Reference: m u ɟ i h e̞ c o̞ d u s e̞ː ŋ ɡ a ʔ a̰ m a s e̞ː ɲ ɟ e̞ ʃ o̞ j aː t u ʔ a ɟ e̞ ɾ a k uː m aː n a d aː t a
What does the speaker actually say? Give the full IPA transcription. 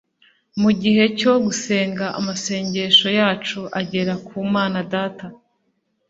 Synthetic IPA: m u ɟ i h e̞ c o̞ ɡ u s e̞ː ŋ ɡ a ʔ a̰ m a s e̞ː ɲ ɟ e̞ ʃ o̞ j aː t͡ʃ u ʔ a ɟ e̞ ɾ a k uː m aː n a d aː t a